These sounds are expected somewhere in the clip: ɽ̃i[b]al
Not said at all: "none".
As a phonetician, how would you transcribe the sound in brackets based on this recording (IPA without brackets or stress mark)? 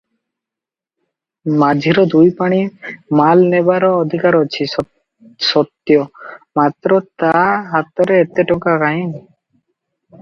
m